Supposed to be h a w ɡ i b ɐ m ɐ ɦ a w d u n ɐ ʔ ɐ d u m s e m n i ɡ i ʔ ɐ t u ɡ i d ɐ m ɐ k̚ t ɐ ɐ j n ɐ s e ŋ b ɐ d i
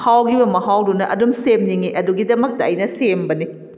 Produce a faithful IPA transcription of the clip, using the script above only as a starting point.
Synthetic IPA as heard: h a w ɡ i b ɐ m ɐ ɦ a w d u n ɐ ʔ ɐ d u m s e m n i ŋ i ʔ ɐ d u ɡ i d ɐ m ɐ k̚ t ɐ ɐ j n ɐ s e m b ɐ n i